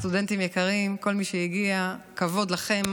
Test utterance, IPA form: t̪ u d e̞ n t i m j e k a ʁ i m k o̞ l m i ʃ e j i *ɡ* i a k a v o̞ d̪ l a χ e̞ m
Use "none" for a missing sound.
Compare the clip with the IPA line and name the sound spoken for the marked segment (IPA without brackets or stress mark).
ɡ